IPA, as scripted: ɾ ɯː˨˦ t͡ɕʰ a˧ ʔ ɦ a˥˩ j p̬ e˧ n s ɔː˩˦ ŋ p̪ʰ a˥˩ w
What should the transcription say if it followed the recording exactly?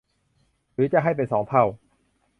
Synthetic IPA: ɾ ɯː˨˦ t͡ɕ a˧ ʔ ɦ a˥˩ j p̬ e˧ n s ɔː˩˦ ŋ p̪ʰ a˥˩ w